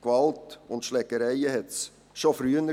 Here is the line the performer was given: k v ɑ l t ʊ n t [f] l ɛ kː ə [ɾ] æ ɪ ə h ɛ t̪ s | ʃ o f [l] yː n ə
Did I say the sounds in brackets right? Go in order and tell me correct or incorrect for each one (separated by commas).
incorrect, correct, incorrect